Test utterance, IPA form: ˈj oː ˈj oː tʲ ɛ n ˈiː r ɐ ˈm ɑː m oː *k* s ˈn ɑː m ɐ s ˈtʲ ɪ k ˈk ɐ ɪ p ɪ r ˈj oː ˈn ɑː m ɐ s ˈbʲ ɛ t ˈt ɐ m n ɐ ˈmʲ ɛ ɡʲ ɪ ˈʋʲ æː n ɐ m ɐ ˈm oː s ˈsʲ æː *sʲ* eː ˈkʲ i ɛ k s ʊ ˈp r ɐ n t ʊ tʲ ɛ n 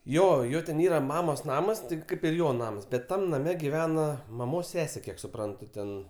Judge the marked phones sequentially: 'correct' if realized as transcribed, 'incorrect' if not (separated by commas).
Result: incorrect, correct